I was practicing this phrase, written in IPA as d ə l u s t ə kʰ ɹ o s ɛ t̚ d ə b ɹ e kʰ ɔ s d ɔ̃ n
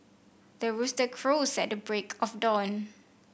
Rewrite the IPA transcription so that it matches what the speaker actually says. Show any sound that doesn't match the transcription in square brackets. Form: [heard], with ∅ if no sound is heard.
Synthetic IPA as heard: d ə [ɹ] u s t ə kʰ ɹ o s ɛ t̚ d ə b ɹ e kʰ ɔ [f] d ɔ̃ n